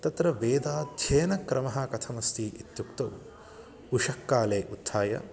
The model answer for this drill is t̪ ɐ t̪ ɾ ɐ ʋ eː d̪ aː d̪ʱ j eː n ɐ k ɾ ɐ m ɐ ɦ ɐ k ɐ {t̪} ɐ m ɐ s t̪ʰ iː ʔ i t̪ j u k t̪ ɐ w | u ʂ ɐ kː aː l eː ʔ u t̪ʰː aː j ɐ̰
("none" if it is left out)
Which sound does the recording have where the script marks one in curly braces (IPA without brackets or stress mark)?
t̪ʰ